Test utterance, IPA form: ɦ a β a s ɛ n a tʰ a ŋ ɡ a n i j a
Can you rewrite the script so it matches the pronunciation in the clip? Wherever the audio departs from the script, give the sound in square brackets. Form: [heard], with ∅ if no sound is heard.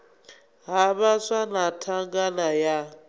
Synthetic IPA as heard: ɦ a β a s [a] n a tʰ a ŋ ɡ a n [a] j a